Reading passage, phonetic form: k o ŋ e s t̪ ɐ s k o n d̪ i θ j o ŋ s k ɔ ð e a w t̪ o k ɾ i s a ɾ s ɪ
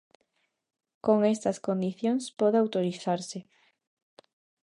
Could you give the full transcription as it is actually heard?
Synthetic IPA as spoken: k o ŋ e s t̪ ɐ s k o n d̪ i θ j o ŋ s p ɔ ð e a w t̪ o ɾ i θ a ɾ s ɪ